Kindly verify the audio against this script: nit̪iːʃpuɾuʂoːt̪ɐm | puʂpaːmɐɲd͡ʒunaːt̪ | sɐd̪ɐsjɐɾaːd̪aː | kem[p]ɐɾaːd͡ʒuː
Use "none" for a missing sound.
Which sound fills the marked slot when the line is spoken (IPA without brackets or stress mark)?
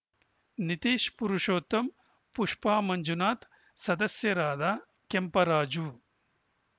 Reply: p